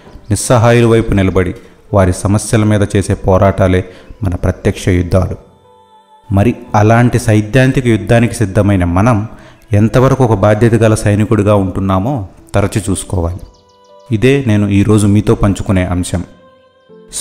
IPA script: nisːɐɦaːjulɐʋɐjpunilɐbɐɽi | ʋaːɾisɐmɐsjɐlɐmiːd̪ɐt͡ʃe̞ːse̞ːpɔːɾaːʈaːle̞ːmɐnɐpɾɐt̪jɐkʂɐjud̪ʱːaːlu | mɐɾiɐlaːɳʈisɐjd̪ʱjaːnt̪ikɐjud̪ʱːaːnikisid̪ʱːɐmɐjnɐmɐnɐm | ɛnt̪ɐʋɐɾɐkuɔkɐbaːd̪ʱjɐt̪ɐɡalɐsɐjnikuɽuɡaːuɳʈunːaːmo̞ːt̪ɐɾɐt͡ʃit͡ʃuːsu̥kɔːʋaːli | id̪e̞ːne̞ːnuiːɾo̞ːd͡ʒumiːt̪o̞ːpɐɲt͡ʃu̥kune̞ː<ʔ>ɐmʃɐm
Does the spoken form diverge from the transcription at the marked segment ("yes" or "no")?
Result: no